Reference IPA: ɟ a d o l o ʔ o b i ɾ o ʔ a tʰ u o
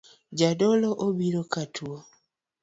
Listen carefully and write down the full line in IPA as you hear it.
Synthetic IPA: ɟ a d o l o ʔ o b i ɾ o k a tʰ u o